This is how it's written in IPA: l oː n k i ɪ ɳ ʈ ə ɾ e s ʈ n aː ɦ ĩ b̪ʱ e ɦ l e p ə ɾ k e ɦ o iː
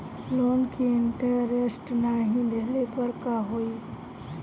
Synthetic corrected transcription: l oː n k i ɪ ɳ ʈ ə ɾ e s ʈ n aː ɦ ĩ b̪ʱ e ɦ l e p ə ɾ k a ɦ o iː